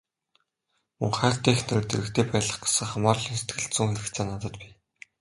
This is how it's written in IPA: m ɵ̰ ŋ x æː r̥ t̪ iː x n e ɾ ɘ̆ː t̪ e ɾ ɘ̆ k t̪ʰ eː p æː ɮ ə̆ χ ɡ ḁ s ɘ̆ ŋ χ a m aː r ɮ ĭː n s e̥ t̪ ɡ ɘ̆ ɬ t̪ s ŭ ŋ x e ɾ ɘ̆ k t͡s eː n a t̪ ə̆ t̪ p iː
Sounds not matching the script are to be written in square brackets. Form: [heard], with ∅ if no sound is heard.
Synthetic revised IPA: m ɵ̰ ŋ [χ] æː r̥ t̪ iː x n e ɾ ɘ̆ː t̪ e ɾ ɘ̆ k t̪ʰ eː p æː ɮ ə̆ χ ɡ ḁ s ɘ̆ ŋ χ a m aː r ɮ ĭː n s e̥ t̪ ɡ ɘ̆ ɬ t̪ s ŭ ŋ x e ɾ ɘ̆ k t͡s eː n a t̪ ə̆ t̪ p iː